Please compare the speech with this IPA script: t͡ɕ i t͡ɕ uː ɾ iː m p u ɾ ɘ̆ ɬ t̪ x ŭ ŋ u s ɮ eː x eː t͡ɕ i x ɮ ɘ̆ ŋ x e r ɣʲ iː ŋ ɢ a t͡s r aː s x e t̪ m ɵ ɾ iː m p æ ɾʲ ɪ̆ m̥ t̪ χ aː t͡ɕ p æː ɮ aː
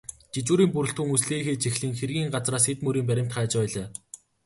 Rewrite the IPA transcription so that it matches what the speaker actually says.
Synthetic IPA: t͡ɕ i t͡ɕ uː ɾ iː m p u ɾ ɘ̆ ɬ t̪ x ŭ ŋ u s ɮ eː x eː t͡ɕ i x ɮ ɘ̆ ŋ x e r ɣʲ iː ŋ ɢ a t͡s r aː s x e t̪ m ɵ ɾ iː m p æ ɾʲ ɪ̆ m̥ t̪ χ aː t͡ɕ p æː ɮ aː